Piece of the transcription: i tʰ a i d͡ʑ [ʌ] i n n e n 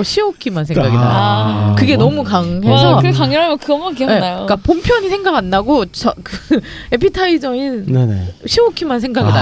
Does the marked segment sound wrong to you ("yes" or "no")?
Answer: no